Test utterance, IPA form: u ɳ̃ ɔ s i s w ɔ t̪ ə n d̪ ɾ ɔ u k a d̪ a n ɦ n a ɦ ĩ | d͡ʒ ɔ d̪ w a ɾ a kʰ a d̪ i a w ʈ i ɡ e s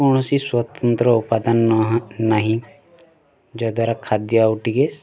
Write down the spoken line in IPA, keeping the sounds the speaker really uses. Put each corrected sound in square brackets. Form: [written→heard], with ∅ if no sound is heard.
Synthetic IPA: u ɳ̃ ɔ s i s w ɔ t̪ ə n [d̪→t̪] ɾ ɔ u [k→p] a d̪ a n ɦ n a ɦ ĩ | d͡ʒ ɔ d̪ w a ɾ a kʰ a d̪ [i→j] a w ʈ i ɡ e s